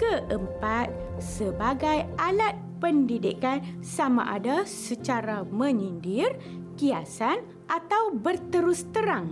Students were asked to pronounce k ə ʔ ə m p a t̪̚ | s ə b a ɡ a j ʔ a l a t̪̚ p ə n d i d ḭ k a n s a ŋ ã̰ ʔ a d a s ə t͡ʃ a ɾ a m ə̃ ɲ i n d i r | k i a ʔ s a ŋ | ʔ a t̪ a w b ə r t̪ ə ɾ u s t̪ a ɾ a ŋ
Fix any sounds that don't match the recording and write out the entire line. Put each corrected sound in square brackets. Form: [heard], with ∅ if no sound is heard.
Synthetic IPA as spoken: k ə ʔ ə m p a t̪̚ | s ə b a ɡ a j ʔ a l a t̪̚ p ə n d i d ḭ k a n s a [m] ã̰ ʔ a d a s ə t͡ʃ a ɾ a m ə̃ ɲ i n d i r | k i a [∅] s a [n] | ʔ a t̪ a w b ə r t̪ ə ɾ u s t̪ [ə] ɾ a ŋ